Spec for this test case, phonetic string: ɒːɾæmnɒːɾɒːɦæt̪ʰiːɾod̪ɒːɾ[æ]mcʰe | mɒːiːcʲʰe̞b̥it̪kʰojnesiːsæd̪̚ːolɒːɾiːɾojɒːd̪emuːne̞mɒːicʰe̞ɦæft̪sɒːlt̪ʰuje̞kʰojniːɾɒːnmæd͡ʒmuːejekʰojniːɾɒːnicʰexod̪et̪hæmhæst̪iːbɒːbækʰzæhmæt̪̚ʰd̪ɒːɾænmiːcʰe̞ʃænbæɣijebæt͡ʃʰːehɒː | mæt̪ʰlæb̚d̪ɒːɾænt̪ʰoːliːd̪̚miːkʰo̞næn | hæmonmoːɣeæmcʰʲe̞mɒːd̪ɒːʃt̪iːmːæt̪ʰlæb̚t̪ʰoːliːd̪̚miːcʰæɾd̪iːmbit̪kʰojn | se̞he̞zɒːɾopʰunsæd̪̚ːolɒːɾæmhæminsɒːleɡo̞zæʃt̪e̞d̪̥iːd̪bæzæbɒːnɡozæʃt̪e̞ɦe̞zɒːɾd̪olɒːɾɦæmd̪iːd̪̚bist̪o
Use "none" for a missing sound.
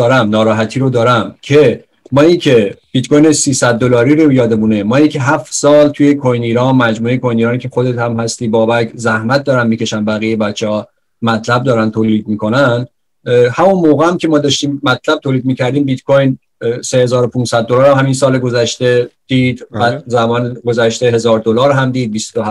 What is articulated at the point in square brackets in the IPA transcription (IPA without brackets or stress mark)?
æ